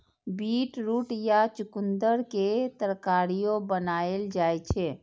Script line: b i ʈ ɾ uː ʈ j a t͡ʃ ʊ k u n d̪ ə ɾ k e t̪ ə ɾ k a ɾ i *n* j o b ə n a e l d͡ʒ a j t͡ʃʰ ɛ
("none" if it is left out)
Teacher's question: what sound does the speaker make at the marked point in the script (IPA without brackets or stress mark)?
none